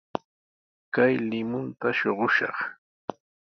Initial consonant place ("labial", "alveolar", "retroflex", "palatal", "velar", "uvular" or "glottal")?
velar